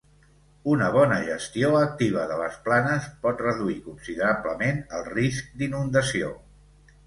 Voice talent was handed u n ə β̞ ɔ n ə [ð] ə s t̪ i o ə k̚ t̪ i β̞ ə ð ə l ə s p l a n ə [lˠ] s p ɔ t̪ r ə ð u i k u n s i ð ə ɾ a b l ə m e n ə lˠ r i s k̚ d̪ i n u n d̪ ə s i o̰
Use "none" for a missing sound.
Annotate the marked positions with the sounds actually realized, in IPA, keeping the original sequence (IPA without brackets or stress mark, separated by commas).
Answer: ʒ, none